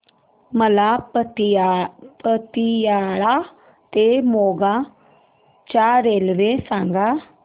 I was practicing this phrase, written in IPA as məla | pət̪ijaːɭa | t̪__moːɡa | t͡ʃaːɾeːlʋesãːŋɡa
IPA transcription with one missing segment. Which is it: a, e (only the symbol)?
e